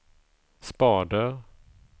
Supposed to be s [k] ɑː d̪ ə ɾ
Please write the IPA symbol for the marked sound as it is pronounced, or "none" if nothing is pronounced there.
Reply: p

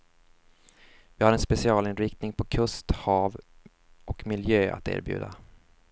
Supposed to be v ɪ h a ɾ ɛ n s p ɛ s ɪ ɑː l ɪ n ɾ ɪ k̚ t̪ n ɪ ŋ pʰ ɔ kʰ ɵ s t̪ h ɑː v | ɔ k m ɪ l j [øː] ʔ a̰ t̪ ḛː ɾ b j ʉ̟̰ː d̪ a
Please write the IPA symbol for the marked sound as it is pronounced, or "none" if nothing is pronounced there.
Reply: øː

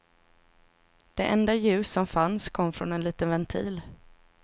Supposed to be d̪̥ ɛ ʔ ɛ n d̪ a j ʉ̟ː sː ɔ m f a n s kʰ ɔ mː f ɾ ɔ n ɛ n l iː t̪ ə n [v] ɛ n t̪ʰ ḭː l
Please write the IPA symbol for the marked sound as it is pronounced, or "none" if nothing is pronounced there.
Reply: v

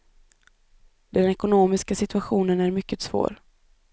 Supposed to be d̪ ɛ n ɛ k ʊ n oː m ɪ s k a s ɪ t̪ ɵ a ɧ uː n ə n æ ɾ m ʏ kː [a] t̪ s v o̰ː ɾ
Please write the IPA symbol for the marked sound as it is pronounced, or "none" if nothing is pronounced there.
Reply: ə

